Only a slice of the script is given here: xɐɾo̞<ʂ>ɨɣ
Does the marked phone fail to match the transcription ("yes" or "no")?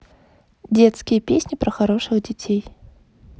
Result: no